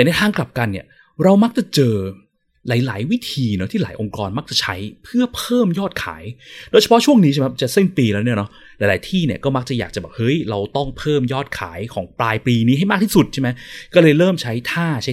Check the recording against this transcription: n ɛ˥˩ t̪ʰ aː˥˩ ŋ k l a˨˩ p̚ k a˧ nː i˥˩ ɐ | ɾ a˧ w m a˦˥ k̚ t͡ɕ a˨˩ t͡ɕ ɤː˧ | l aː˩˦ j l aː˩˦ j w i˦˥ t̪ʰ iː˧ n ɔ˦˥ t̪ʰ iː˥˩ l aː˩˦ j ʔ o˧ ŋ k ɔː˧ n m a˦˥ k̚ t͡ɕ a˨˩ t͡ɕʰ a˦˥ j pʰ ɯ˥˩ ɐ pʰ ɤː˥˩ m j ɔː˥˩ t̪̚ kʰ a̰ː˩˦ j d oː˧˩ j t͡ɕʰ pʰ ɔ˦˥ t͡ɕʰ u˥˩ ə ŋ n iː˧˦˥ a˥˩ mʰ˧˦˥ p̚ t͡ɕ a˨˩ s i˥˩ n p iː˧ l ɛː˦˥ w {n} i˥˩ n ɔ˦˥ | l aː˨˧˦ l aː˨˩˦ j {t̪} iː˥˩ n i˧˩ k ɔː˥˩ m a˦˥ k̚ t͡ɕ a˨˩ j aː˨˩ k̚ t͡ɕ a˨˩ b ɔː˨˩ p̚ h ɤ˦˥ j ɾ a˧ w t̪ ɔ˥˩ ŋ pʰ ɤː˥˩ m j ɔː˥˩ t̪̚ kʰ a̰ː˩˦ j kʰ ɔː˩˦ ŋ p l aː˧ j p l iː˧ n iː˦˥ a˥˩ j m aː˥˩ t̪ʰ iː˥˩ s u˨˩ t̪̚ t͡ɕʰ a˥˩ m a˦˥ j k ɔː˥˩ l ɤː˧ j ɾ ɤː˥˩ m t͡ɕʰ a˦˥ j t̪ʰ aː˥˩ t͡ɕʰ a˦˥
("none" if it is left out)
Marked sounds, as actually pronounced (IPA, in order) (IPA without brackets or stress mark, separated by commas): n, t̪ʰ